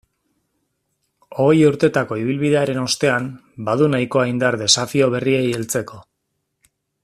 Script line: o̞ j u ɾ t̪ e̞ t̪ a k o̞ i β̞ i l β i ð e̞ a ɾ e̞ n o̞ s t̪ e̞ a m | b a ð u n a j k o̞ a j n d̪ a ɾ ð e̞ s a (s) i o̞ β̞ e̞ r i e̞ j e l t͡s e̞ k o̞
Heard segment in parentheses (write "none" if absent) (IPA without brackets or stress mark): f